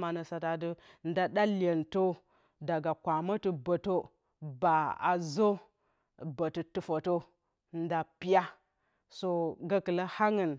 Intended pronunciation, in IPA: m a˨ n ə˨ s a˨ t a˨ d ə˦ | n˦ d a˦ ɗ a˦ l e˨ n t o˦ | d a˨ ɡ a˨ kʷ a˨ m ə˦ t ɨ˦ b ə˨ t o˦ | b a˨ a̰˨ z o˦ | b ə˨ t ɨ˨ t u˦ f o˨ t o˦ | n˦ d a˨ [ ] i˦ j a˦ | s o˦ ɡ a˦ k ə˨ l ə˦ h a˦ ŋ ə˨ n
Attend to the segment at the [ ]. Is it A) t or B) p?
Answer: B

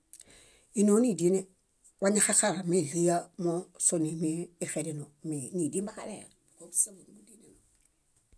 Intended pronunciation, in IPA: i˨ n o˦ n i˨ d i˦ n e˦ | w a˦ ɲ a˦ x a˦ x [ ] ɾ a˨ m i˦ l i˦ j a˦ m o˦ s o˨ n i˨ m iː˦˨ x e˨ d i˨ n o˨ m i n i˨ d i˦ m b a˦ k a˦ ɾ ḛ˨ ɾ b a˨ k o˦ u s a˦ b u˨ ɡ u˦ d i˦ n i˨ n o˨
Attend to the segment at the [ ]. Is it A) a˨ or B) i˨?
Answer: A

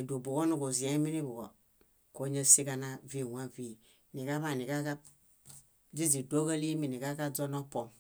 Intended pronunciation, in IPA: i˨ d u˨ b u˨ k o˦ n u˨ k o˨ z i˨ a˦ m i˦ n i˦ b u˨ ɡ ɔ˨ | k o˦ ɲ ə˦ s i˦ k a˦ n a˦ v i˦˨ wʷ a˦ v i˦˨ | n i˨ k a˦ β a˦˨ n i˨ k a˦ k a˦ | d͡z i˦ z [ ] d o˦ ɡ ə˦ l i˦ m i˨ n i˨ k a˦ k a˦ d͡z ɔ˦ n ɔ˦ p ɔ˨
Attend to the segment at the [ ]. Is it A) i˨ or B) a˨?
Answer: A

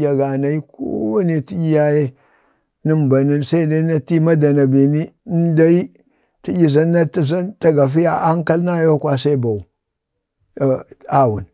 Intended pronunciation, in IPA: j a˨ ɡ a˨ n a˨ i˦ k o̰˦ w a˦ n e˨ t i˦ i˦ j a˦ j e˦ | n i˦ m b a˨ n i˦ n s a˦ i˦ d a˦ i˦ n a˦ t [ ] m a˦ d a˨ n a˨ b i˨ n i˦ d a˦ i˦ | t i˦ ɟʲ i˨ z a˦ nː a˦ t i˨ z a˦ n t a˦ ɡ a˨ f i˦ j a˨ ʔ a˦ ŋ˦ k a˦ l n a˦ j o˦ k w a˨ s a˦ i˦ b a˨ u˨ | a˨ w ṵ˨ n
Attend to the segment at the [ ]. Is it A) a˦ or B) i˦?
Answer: B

